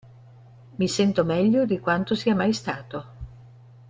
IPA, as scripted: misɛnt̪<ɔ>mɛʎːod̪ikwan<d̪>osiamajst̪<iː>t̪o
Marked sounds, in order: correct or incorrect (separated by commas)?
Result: incorrect, incorrect, incorrect